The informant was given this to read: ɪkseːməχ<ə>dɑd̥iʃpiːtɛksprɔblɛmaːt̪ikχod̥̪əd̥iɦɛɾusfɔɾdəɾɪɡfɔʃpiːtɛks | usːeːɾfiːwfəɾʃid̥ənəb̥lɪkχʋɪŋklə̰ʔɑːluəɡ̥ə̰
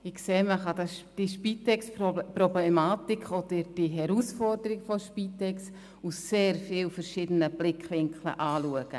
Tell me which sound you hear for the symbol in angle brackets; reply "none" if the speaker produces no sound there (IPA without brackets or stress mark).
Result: ɑ